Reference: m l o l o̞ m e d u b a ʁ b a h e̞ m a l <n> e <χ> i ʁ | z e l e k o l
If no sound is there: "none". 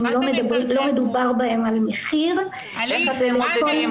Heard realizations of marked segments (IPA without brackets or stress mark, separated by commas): m, χ